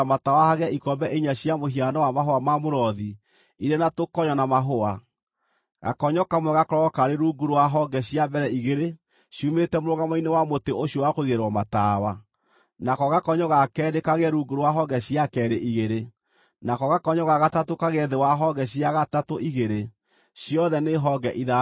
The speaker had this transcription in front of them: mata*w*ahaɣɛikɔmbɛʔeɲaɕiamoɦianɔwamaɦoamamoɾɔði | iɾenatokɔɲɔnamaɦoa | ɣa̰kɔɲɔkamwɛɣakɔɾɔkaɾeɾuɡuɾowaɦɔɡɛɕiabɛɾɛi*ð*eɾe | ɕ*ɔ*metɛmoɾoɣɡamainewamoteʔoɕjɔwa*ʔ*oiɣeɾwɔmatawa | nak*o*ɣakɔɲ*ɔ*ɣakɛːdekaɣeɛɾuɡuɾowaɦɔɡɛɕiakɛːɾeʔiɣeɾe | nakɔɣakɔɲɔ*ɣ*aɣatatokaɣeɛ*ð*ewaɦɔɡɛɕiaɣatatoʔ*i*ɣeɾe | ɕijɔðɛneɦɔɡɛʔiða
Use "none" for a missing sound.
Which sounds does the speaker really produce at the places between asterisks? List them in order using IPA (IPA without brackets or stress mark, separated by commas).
w, ɣ, u, k, ɔ, ɔ, ɣ, ð, i